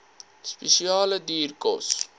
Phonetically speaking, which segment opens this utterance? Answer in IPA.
s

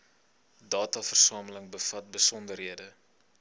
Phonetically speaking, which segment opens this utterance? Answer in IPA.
d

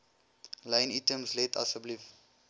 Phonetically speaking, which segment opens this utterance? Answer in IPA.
l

